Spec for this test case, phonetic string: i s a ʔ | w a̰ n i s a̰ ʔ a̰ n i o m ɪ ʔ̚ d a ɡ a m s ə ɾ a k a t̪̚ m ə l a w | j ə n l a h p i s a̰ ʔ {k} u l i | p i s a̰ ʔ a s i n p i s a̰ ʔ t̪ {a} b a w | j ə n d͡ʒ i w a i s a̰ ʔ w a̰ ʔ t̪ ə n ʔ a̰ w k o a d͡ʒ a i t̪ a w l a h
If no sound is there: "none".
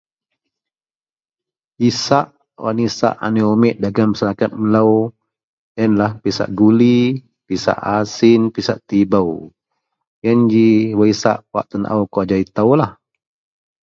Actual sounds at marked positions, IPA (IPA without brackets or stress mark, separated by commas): ɡ, i